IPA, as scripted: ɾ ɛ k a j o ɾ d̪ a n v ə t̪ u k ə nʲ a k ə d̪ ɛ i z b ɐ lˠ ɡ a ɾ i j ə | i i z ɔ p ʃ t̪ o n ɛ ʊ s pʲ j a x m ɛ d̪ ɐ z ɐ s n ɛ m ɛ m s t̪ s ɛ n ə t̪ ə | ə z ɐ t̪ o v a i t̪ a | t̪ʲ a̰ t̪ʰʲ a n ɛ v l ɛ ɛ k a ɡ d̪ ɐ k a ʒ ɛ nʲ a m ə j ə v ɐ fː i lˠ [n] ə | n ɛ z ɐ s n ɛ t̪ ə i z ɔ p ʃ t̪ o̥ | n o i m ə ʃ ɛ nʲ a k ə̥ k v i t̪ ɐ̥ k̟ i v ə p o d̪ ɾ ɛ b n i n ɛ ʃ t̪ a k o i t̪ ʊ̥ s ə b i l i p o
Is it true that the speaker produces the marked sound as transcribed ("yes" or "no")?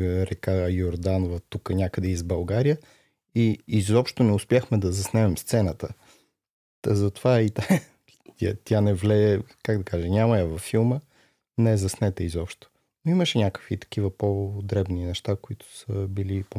no